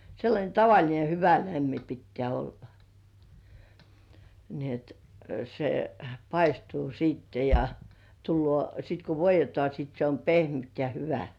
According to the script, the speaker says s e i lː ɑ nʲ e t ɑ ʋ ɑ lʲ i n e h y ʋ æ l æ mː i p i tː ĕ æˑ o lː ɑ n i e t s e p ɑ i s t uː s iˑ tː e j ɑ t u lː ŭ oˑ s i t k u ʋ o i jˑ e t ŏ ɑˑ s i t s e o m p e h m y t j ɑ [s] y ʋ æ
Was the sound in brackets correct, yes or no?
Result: no